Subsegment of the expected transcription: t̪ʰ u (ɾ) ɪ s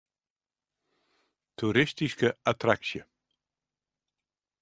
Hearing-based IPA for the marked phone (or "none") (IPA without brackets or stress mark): ɾ